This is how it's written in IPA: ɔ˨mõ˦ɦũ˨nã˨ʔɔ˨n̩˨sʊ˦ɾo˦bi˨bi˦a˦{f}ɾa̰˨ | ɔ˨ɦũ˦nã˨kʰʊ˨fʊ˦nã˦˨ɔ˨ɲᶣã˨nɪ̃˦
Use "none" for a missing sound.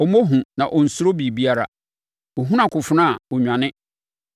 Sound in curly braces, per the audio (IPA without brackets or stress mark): none